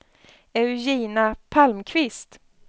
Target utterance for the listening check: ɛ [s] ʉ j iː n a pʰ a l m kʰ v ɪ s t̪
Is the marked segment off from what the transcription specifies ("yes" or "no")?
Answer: yes